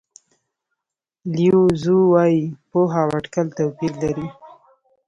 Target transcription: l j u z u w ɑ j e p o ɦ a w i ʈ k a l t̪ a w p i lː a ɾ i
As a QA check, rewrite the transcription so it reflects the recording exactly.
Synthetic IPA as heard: l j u z u w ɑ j i p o ɦ a w a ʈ k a l t̪ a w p i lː a ɾ i